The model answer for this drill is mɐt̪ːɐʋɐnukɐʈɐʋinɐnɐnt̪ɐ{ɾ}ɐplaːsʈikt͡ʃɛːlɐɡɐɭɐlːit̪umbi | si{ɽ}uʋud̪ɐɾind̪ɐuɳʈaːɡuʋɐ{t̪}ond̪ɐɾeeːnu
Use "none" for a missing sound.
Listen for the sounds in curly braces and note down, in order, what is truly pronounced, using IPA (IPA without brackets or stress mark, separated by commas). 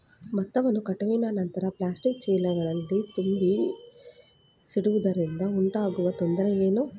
ɾ, ɽ, t̪